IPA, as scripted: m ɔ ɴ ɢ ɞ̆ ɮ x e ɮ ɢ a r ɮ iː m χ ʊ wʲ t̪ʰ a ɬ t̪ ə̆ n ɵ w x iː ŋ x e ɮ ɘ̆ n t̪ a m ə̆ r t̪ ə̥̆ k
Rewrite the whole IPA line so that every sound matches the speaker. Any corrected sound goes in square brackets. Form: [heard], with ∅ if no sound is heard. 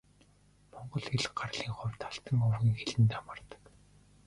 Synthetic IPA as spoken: m ɔ ɴ ɢ ɞ̆ ɮ x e ɮ ɢ a r ɮ iː [ŋ] χ ʊ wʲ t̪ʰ a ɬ t̪ ə̆ [ŋ] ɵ w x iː ŋ x e ɮ ɘ̆ n t̪ a m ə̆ r t̪ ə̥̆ k